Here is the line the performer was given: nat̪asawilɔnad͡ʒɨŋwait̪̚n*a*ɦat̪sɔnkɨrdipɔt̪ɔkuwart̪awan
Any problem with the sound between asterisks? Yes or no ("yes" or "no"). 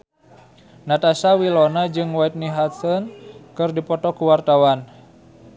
yes